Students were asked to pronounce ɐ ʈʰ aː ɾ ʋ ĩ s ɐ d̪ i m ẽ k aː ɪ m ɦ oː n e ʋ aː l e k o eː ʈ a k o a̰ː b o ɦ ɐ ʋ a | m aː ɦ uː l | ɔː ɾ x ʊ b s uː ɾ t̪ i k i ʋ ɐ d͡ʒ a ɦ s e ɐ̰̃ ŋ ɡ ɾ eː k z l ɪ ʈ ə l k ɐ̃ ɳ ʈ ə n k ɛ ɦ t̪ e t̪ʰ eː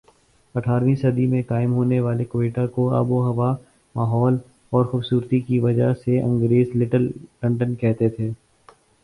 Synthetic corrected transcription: ɐ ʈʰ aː ɾ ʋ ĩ s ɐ d̪ i m ẽ k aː ɪ m ɦ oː n e ʋ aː l e k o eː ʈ a k o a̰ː b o ɦ ɐ ʋ a | m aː ɦ ɔː l | ɔː ɾ x ʊ b s uː ɾ t̪ i k i ʋ ɐ d͡ʒ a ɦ s e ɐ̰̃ ŋ ɡ ɾ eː z l ɪ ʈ ə l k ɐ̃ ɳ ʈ ə n k ɛ ɦ t̪ e t̪ʰ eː